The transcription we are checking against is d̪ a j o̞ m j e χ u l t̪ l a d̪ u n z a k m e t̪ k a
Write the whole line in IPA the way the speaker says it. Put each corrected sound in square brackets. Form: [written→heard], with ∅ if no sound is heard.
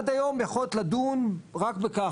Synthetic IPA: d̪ a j o̞ m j [e→a] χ [u→o] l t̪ l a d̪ u n [z→ʁ] a k [m→b] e [t̪→∅] k a